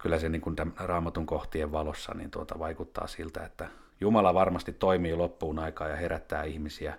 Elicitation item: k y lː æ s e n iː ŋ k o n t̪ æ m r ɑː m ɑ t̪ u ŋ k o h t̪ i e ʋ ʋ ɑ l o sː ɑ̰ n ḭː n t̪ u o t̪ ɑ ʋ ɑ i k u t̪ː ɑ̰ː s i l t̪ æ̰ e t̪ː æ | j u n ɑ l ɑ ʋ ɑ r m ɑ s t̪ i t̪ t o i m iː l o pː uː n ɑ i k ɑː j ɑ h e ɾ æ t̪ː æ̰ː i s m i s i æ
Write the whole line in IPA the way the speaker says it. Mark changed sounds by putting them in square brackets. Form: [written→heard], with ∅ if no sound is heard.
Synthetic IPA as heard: k y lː æ s e n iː ŋ k [o→u] n t̪ æ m r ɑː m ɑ t̪ u ŋ k o h t̪ i e ʋ ʋ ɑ l o sː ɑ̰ n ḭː n t̪ u o t̪ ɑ ʋ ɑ i k u t̪ː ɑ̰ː s i l t̪ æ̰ e t̪ː æ | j u [n→m] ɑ l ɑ ʋ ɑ r m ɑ s t̪ i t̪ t o i m iː l o pː uː n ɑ i k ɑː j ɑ h e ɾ æ t̪ː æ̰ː i [s→h] m i s i æ